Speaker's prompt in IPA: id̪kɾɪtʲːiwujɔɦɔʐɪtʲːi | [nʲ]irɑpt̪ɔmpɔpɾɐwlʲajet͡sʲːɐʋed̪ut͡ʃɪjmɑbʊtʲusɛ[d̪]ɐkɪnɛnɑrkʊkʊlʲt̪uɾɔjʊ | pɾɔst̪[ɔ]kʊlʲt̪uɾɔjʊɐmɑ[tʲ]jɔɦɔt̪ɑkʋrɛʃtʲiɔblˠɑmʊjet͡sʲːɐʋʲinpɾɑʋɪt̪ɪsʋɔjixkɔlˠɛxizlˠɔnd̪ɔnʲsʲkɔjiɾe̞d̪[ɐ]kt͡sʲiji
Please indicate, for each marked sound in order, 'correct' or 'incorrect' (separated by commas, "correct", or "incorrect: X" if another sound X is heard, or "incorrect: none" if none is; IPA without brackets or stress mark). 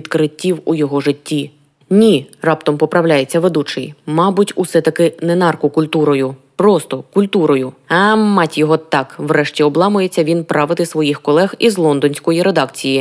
correct, incorrect: t̪, correct, correct, incorrect: ɑ